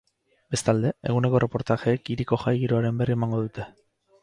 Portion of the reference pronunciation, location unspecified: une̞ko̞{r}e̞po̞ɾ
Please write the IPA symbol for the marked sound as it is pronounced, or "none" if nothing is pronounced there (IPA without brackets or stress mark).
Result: r